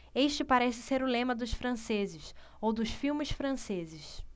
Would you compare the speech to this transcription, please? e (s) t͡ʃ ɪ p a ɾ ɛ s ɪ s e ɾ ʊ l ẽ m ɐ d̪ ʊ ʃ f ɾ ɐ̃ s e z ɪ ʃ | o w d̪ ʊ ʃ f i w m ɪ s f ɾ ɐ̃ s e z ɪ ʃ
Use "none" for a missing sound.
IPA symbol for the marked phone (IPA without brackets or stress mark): ʃ